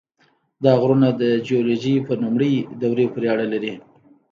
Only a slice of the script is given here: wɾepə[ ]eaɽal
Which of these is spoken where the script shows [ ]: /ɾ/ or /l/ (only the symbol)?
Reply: ɾ